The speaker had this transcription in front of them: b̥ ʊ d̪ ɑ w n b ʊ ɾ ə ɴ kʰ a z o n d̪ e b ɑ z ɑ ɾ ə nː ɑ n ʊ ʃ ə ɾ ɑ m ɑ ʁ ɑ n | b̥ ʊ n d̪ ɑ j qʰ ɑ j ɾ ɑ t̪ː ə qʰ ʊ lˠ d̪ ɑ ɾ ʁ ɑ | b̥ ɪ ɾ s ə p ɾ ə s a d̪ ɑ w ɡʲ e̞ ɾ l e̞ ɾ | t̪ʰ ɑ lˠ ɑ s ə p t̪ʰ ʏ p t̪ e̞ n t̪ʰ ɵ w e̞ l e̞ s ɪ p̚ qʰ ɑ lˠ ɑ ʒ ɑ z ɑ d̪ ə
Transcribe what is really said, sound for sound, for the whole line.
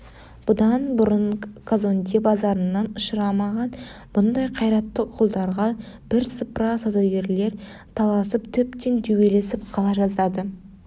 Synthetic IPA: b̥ ʊ d̪ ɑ n b ʊ ɾ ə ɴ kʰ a z o n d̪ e b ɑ z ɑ ɾ ə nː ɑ n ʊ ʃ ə ɾ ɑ m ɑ ʁ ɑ n | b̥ ʊ n d̪ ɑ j qʰ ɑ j ɾ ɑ t̪ː ə qʰ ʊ lˠ d̪ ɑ ɾ ʁ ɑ | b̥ ɪ ɾ s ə p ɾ ɑ s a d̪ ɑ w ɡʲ e̞ ɾ l e̞ ɾ | t̪ʰ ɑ lˠ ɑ s ə p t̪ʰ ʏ p t̪ e̞ n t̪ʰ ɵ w e̞ l e̞ s ɪ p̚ qʰ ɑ lˠ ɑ ʒ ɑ z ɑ d̪ ə